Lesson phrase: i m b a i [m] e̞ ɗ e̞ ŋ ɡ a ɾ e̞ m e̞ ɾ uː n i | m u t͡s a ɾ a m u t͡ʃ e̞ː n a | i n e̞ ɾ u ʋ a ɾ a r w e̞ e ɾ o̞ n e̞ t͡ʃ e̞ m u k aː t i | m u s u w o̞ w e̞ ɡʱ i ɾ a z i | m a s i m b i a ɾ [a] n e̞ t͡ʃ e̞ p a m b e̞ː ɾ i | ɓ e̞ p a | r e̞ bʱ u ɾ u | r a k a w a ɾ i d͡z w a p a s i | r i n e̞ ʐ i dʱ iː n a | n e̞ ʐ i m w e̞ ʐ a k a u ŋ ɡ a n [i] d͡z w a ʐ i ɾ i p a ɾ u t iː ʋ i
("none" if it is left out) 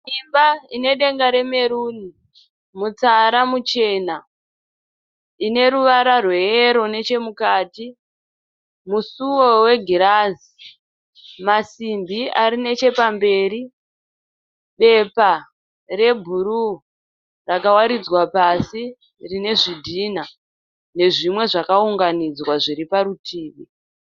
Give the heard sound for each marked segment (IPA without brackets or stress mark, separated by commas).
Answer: n, i, i